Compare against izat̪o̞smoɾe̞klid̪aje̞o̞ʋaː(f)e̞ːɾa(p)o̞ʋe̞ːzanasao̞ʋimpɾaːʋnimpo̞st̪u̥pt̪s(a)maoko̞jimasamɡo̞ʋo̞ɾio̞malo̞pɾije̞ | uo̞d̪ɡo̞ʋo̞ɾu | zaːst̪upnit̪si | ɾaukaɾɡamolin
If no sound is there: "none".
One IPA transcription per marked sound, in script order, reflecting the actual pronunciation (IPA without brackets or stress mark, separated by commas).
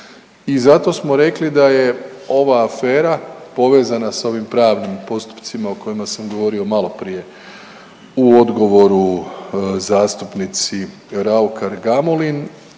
f, p, i